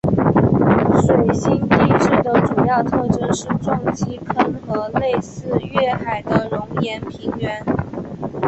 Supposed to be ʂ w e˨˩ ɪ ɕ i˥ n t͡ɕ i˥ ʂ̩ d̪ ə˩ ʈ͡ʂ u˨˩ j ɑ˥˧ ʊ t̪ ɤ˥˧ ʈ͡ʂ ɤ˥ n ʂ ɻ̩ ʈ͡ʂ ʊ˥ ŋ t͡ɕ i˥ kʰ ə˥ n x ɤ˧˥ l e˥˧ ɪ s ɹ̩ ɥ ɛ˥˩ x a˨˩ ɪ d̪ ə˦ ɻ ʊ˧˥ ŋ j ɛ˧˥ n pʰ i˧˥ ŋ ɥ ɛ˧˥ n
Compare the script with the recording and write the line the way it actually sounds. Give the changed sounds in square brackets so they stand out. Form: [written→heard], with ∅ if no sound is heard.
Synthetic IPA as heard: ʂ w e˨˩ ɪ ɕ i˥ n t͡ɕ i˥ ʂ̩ d̪ ə˩ ʈ͡ʂ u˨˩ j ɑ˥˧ ʊ [t̪→t̪ʰ] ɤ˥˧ ʈ͡ʂ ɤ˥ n ʂ ɻ̩ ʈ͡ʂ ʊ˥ ŋ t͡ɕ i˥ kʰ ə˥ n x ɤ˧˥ l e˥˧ ɪ s ɹ̩ ɥ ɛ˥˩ x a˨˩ ɪ d̪ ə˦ ɻ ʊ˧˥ ŋ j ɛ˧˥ n pʰ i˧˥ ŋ ɥ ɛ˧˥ n